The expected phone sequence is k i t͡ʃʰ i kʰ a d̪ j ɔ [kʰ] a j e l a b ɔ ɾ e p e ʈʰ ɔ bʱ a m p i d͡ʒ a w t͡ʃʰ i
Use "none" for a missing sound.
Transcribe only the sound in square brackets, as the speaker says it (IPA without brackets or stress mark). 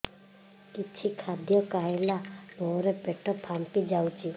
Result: k